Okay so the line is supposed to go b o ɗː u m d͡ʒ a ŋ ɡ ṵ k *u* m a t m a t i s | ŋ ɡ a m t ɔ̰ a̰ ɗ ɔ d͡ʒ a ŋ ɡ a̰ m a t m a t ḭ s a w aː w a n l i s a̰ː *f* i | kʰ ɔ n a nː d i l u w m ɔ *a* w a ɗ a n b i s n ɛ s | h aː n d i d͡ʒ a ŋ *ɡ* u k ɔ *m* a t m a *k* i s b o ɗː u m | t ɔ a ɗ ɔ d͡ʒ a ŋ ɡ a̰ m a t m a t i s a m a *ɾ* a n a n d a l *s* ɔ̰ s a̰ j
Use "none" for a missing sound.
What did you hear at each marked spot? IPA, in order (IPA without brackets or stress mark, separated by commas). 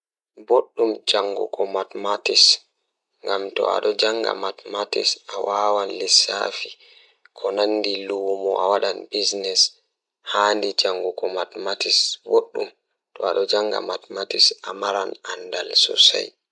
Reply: ɔ, f, a, ɡ, m, t, ɾ, s